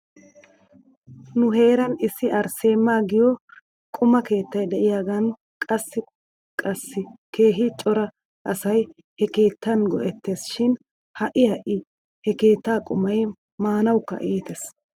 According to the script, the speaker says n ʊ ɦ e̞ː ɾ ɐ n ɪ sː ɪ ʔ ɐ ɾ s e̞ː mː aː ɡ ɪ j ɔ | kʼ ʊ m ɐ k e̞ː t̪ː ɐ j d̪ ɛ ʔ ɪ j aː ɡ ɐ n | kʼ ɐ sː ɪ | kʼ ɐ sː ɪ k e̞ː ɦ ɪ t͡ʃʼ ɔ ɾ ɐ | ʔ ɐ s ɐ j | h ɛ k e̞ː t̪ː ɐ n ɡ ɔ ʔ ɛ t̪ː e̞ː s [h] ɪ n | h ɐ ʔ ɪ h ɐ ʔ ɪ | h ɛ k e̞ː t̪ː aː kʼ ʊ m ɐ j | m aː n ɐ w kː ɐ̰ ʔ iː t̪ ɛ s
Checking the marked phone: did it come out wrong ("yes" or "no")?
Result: yes